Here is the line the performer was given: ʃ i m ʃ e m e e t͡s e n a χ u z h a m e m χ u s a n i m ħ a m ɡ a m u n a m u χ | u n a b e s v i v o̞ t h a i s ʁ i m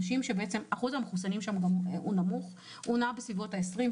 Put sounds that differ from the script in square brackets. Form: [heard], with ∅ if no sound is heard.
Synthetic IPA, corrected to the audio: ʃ i m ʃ e [b] e e t͡s e [m] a χ u z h a m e [∅] χ u s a n i m [ʃ] a m ɡ a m u n a m u χ | u n a b e s v i v o̞ t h a [e] s ʁ i m